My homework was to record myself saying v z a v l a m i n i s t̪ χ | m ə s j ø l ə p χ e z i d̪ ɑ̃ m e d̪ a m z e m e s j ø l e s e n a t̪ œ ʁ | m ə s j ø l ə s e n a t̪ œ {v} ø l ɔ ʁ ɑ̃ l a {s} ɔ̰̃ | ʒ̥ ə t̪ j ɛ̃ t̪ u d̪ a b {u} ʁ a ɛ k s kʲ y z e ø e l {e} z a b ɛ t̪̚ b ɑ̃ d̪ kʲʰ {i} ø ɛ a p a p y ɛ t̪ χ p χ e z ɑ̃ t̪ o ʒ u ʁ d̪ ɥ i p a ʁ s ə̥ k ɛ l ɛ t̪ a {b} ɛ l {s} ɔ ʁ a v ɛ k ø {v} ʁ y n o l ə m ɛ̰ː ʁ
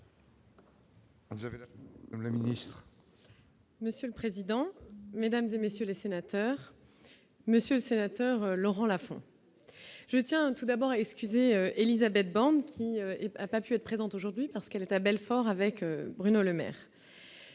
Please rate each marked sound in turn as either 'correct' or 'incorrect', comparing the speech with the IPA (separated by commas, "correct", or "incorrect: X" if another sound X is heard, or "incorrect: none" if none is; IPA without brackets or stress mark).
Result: incorrect: ʁ, incorrect: f, incorrect: ɔ, incorrect: i, correct, correct, incorrect: f, incorrect: b